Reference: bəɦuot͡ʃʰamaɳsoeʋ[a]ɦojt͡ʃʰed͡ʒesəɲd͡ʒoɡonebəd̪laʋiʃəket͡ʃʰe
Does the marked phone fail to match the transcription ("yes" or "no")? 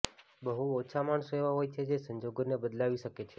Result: no